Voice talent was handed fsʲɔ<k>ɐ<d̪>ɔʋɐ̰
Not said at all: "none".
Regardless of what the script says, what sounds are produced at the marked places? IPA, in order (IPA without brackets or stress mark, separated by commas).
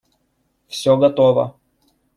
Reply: ɡ, t̪